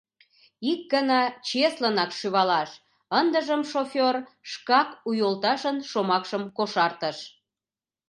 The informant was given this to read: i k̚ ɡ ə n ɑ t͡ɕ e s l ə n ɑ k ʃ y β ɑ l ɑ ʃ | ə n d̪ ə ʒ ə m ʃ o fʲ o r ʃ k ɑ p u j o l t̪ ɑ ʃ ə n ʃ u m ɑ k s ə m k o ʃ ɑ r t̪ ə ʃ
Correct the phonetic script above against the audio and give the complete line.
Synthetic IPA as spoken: i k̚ ɡ ə n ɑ t͡ɕ e s l ə n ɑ k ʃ y β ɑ l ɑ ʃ | ə n d̪ ə ʒ ə m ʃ o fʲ o r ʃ k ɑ k u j o l t̪ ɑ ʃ ə n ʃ o m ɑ k ʃ ə m k o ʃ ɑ r t̪ ə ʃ